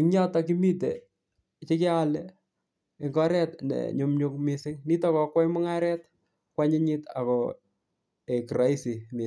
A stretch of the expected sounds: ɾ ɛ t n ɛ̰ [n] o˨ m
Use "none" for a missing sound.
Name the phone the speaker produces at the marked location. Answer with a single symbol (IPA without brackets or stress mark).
ɲ